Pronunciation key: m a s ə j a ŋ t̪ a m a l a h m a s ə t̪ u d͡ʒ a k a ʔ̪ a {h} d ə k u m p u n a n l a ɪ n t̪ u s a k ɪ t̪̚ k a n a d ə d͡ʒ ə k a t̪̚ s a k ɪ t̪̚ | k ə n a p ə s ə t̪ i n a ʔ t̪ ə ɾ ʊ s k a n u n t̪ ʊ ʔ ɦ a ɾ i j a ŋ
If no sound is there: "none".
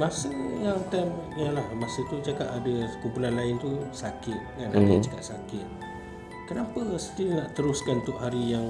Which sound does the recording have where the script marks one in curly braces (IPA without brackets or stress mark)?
none